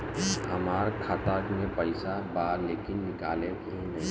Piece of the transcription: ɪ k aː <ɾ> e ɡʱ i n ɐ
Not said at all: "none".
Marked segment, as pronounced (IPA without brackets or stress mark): l